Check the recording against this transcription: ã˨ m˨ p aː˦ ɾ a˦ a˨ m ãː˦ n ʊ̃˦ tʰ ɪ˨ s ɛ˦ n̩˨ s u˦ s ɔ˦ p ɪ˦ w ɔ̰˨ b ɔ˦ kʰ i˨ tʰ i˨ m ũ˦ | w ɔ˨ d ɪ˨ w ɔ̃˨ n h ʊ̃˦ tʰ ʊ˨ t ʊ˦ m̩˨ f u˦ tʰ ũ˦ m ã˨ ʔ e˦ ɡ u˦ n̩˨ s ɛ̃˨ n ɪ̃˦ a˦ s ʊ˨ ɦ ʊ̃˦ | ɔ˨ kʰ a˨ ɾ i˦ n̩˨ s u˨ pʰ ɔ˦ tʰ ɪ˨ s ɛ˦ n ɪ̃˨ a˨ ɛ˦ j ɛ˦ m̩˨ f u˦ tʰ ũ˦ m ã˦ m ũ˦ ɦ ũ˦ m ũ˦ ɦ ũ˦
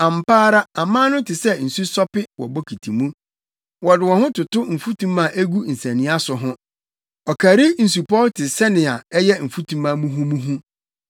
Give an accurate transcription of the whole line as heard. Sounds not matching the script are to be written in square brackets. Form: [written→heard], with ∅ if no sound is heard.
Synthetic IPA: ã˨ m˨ p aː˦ ɾ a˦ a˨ m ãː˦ n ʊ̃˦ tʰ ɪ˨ s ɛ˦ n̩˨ s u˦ s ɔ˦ p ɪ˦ w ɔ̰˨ b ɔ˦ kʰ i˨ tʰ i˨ m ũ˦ | w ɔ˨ d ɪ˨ w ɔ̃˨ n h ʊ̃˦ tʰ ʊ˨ t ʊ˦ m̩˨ f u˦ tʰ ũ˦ m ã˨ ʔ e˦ ɡ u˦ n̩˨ s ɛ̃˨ n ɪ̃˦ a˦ s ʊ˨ ɦ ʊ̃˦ | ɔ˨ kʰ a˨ ɾ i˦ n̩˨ s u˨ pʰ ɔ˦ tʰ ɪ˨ s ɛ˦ n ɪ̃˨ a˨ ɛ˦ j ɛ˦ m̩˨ f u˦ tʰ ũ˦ m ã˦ m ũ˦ ɦ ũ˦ m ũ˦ ɦ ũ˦